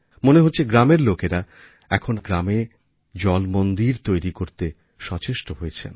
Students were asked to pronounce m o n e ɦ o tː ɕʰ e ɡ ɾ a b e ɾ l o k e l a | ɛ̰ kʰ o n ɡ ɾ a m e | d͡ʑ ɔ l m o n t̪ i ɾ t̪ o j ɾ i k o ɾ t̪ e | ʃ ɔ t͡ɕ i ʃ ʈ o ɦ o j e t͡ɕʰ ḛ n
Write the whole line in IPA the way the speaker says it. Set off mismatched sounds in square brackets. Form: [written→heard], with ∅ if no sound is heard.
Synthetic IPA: m o n e ɦ o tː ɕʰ e ɡ ɾ a [b→m] e ɾ l o k e [l→ɾ] a | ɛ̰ kʰ o n ɡ ɾ a m e | d͡ʑ ɔ l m o n [t̪→d̪] i ɾ t̪ o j ɾ i k o ɾ t̪ e | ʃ ɔ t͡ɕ [i→e] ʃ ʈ o ɦ o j e t͡ɕʰ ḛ n